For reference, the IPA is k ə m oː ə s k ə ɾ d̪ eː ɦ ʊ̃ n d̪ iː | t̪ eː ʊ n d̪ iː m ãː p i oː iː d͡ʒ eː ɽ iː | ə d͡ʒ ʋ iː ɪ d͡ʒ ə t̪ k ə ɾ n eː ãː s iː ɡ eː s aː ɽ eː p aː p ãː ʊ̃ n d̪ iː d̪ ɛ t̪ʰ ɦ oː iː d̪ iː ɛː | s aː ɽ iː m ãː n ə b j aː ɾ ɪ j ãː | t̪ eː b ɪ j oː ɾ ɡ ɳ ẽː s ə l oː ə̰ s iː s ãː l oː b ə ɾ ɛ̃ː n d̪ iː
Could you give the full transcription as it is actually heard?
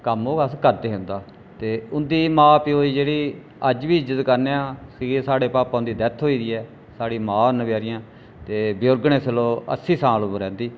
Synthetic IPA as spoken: k ə m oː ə s k ə ɾ d̪ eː ɦ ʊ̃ n d̪ aː | t̪ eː ʊ n d̪ iː m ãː p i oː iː d͡ʒ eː ɽ iː | ə d͡ʒ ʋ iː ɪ d͡ʒ ə t̪ k ə ɾ n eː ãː s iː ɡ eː s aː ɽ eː p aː p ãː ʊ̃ n d̪ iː d̪ ɛ t̪ʰ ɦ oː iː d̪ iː ɛː | s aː ɽ iː m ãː n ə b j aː ɾ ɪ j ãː | t̪ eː b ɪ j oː ɾ ɡ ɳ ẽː s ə l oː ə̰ s iː s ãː l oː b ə ɾ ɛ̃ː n d̪ iː